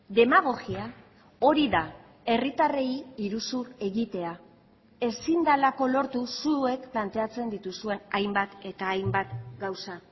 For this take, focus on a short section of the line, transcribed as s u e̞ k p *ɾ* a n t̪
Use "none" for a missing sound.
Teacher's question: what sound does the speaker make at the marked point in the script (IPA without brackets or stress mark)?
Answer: l